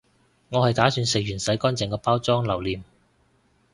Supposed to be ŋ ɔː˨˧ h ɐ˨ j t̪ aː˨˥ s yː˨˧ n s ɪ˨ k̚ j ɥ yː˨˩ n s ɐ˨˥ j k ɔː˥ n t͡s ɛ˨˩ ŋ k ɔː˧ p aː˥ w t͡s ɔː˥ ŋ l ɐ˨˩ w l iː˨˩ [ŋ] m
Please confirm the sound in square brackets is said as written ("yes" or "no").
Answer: no